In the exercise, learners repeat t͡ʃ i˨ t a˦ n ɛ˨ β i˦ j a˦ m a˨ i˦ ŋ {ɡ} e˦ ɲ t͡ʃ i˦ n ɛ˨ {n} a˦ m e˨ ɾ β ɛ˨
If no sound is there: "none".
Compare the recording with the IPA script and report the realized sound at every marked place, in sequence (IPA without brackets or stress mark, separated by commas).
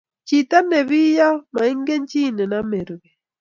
ɡ, n